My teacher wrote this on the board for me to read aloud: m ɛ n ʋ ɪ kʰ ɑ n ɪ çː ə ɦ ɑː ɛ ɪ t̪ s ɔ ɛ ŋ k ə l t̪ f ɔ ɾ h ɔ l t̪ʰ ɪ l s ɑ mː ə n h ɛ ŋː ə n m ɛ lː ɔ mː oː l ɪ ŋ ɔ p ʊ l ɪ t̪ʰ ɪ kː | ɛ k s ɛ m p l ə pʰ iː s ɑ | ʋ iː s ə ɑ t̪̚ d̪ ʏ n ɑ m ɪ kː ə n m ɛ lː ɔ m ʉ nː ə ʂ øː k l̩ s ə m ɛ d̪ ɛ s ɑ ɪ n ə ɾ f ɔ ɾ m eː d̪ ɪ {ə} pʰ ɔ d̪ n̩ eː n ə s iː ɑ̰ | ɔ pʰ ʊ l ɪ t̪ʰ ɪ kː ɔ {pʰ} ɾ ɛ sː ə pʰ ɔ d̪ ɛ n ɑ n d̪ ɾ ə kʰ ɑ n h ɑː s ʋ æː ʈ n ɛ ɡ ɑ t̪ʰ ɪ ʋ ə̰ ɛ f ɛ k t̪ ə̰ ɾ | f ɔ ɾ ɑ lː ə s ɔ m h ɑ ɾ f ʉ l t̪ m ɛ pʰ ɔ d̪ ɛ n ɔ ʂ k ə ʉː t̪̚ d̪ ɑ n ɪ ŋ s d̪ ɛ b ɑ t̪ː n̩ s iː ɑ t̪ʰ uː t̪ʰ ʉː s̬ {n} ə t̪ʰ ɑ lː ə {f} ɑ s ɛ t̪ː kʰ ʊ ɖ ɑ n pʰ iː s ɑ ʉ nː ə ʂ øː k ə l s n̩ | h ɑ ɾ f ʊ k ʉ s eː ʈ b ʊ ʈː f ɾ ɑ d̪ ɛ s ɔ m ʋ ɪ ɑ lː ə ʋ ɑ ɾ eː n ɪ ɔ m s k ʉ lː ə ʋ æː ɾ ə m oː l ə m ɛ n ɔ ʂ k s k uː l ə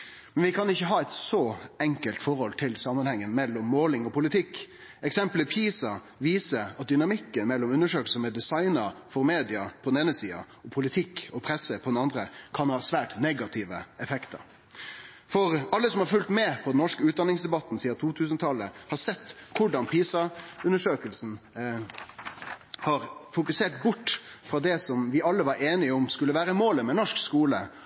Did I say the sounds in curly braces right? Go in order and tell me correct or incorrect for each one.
incorrect: ɑ, correct, correct, incorrect: h

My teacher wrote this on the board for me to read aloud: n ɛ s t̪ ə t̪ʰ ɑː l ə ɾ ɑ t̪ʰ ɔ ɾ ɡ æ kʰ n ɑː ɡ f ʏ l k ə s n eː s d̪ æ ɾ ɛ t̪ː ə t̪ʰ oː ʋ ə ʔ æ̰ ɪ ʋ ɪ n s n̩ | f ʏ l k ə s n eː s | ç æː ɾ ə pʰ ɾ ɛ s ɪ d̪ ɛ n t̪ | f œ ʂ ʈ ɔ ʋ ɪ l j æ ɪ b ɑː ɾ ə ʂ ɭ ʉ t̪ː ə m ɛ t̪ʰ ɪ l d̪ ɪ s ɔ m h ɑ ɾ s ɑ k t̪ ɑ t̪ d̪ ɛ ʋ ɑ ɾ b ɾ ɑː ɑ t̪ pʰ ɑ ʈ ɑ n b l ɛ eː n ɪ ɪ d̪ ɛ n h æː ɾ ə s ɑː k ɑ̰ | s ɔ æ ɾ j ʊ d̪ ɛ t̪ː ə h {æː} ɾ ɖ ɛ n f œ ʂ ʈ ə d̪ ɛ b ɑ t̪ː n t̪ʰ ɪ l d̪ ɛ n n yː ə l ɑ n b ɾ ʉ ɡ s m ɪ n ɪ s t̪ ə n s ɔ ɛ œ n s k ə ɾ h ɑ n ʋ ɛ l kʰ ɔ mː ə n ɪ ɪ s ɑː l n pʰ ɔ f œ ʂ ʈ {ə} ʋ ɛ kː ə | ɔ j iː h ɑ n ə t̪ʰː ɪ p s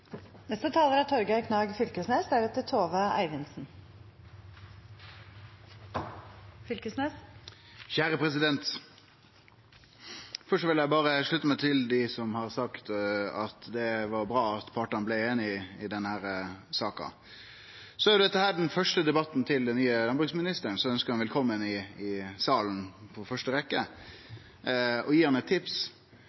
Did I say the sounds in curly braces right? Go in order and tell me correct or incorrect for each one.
correct, correct

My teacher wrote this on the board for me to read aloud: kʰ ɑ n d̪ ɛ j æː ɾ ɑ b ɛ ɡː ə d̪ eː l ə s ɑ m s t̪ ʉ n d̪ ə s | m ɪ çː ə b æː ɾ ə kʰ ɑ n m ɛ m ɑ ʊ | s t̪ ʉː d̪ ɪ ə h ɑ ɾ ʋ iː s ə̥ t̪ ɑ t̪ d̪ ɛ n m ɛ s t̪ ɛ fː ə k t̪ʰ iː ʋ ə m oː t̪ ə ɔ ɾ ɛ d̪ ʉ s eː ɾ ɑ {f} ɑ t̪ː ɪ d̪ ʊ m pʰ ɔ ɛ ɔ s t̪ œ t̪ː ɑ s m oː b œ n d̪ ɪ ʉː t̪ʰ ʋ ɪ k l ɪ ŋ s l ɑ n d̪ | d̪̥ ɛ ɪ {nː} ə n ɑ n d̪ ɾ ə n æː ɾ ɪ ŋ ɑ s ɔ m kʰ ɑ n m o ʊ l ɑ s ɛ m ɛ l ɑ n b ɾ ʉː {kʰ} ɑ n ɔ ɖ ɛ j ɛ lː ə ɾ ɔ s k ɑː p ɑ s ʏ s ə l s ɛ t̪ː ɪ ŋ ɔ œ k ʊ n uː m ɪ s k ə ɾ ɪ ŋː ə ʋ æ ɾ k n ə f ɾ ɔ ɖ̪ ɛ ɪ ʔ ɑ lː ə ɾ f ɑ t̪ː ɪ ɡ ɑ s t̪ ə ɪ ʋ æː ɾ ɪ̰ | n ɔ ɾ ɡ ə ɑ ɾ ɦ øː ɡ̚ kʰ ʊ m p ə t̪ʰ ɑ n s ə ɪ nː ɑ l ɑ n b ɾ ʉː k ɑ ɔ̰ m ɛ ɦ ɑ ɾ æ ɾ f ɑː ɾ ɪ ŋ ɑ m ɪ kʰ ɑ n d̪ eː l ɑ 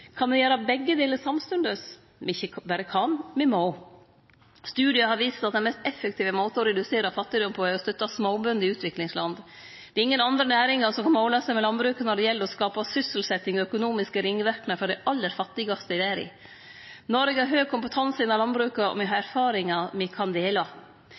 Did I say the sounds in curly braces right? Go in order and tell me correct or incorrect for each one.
correct, incorrect: ŋː, incorrect: k

